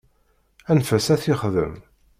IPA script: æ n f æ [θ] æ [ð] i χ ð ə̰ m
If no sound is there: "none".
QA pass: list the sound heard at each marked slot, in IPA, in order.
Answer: s, θ

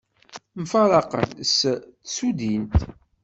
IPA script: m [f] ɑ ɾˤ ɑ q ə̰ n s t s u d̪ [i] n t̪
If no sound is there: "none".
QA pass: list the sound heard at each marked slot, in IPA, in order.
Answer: f, i

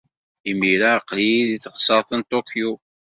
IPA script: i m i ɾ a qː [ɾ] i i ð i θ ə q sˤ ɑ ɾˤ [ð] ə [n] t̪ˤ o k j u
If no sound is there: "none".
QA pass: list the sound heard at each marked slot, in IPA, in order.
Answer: l, θ, n

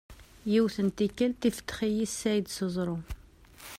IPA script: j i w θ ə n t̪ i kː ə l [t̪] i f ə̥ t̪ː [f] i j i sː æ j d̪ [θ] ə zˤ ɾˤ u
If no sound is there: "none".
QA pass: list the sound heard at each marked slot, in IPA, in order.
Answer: t̪, χ, s

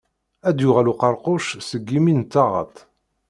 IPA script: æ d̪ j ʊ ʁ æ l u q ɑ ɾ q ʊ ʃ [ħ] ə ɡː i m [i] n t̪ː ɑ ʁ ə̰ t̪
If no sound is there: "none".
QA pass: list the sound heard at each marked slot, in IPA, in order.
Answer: s, i

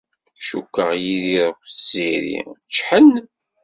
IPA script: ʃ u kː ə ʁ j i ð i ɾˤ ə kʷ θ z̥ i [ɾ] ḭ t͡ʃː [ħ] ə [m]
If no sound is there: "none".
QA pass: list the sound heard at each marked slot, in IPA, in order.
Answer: ɾ, ħ, n

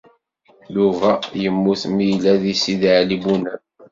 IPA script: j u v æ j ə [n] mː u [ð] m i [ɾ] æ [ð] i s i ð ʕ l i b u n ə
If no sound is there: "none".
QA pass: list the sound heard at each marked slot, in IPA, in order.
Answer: none, θ, l, ð

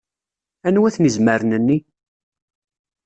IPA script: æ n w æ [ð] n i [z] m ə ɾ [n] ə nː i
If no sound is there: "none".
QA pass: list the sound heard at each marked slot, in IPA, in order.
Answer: θ, z, n

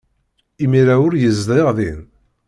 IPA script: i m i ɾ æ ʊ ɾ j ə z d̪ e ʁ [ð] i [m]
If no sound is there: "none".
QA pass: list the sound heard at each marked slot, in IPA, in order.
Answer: ð, n

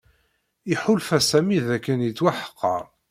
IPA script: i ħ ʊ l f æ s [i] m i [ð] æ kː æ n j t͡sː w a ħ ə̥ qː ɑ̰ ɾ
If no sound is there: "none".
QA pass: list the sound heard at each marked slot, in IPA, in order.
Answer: æ, ð

